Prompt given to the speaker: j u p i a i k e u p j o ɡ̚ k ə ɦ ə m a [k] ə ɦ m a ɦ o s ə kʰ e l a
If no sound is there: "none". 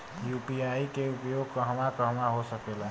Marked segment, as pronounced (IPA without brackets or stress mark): k